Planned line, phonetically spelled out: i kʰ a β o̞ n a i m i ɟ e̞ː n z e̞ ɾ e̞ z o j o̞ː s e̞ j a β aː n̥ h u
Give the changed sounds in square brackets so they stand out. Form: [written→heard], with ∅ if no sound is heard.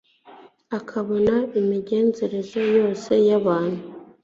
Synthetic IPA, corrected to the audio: [i→a] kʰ a β o̞ n a i m i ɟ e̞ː n z e̞ ɾ e̞ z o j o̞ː s e̞ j a β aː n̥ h u